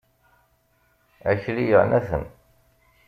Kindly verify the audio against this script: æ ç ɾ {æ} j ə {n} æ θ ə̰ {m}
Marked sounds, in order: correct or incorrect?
incorrect: i, correct, incorrect: n

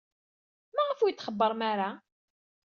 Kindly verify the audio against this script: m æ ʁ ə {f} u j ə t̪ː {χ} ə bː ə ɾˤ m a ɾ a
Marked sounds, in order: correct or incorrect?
correct, correct

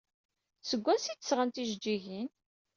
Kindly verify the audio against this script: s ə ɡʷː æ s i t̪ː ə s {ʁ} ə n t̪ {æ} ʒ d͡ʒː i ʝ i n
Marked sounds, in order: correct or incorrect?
correct, incorrect: i

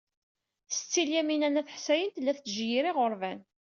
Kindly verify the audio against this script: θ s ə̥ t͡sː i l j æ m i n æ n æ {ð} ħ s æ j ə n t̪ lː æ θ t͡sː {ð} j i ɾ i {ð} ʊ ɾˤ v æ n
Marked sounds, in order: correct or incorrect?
incorrect: θ, incorrect: ʒ, incorrect: ʁ

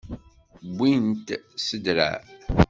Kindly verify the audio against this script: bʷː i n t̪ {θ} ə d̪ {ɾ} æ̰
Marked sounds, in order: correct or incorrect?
incorrect: s, correct

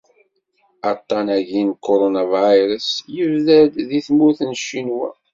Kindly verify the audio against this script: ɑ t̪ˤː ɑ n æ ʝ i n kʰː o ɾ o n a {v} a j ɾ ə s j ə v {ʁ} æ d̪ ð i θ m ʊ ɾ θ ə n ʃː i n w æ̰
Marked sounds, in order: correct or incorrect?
correct, incorrect: ð

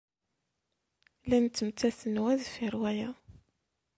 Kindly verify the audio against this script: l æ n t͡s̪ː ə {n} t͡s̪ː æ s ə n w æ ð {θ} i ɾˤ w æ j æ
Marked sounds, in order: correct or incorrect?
incorrect: m, incorrect: f

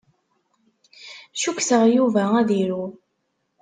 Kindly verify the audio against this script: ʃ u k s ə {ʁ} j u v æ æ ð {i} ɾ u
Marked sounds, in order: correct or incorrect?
correct, correct

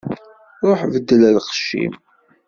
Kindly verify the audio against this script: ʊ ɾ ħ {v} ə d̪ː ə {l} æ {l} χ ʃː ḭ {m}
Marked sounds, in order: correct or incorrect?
correct, correct, correct, correct

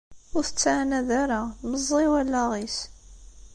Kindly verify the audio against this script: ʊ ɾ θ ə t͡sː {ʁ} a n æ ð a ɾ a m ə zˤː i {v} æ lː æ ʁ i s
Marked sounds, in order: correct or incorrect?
incorrect: ʕ, incorrect: w

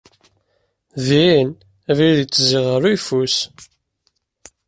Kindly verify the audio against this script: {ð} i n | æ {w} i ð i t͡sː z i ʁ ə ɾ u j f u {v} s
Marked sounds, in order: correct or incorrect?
correct, incorrect: v, incorrect: none

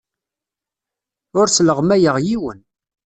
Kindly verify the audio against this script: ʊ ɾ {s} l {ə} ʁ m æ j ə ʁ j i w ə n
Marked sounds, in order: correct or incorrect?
correct, correct

